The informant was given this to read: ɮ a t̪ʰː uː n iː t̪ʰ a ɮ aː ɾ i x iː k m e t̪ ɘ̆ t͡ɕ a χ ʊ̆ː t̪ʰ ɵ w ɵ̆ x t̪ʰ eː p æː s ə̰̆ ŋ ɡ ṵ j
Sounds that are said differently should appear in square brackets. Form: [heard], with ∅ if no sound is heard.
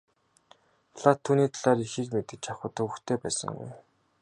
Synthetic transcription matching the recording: ɮ a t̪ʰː uː n iː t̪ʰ a ɮ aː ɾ i x iː k m e t̪ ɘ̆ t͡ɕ a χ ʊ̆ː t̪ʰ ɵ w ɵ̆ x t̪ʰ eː p æː s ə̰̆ ŋ ɡ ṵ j